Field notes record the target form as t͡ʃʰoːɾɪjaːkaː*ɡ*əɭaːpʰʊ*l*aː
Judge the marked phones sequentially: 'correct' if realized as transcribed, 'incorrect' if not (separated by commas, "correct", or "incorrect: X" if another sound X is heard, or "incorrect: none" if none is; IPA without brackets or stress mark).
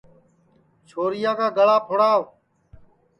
correct, incorrect: ɽ